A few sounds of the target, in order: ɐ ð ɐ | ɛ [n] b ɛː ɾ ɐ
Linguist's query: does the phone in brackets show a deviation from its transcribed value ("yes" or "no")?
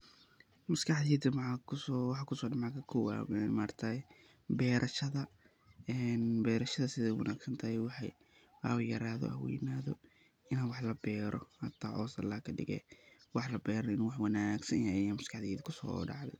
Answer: no